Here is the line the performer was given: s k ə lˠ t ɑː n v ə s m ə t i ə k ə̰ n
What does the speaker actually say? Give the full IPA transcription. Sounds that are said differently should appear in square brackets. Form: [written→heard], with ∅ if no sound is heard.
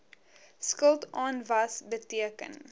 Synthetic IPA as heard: s k ə lˠ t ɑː n v [ə→ɐ] s [m→b] ə t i ə k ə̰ n